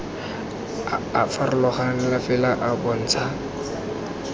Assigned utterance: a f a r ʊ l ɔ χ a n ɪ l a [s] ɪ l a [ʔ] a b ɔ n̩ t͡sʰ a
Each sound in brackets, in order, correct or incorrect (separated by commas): incorrect, correct